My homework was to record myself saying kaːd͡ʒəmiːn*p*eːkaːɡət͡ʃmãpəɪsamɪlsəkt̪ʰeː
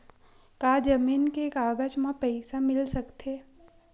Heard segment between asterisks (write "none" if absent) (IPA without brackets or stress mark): k